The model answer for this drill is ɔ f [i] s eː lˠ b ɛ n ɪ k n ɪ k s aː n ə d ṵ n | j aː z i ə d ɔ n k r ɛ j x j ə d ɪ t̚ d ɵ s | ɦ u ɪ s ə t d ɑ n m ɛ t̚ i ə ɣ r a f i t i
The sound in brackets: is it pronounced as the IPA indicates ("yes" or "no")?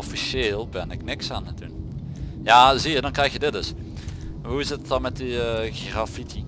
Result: yes